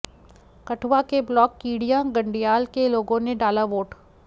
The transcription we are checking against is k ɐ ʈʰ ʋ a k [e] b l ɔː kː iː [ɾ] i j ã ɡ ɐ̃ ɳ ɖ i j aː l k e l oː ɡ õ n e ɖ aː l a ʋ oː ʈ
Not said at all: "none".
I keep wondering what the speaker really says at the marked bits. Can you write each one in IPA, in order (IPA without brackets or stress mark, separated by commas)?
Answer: e, ɽ